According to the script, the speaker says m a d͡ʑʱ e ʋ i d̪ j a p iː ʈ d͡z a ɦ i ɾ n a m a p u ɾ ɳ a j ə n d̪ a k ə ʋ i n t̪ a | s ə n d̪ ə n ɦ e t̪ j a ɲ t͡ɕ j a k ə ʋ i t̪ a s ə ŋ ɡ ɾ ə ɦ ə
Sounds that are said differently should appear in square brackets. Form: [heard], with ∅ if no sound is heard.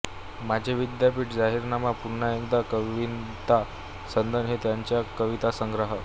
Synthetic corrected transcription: m a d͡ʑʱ e ʋ i d̪ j a p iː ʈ d͡z a ɦ i ɾ n a m a p u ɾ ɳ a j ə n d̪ a k ə ʋ i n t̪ a | s ə n d̪ ə n ɦ e t̪ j a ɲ t͡ɕ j a k ə ʋ i t̪ a s ə ŋ ɡ ɾ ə ɦ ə